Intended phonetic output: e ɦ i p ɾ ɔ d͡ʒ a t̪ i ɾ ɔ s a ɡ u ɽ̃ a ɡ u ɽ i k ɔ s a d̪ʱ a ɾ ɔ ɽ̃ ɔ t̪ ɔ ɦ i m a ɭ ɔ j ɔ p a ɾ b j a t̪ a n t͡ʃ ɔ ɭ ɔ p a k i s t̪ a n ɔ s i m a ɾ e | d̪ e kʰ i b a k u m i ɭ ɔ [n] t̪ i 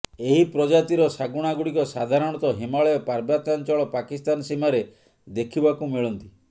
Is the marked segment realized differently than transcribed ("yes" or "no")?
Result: no